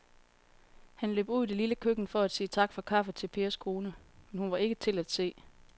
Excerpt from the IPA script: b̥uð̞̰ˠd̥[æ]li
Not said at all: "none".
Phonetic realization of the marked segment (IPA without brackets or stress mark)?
e